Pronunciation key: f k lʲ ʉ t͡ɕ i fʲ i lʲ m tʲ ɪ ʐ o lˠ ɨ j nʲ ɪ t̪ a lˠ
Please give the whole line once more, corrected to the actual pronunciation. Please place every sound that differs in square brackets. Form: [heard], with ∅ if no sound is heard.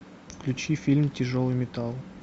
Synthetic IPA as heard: f k lʲ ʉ t͡ɕ i fʲ i lʲ m tʲ ɪ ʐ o lˠ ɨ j [mʲ] ɪ t̪ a lˠ